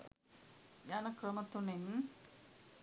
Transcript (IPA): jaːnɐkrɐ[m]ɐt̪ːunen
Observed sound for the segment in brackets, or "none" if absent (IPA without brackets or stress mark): m